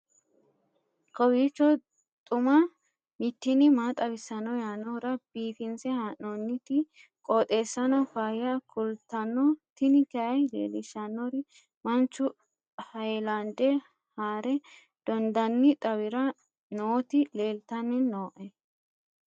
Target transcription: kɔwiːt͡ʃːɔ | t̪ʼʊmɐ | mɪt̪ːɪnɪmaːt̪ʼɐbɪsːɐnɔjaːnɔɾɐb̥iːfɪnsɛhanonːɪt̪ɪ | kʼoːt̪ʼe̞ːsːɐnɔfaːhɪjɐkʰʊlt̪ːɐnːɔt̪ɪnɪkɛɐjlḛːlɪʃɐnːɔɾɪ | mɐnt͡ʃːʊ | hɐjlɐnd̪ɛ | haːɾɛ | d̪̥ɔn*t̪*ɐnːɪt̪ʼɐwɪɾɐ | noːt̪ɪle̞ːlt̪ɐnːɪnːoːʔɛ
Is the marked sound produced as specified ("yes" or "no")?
no